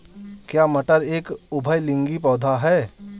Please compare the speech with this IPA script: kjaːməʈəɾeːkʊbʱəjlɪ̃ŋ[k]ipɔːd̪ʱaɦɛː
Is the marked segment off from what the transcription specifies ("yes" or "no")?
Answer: yes